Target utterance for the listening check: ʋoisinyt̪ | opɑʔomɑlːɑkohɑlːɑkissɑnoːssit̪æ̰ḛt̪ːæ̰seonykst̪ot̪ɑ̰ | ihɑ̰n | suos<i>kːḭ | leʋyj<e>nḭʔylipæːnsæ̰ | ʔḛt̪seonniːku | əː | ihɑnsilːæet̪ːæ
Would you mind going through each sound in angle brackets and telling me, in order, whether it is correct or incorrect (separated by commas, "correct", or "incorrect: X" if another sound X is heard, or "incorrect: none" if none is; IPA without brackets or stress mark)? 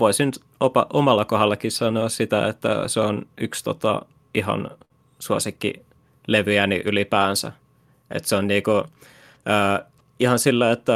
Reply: correct, incorrect: æ